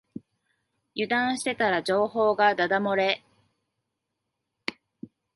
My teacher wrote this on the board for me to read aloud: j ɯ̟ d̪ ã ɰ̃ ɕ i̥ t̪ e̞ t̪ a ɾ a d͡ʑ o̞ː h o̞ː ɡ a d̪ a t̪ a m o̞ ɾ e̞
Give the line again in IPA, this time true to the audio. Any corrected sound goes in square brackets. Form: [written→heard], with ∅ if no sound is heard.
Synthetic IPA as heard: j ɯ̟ d̪ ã ɰ̃ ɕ i̥ t̪ e̞ t̪ a ɾ a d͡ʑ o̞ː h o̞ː ɡ a d̪ a [t̪→d̪] a m o̞ ɾ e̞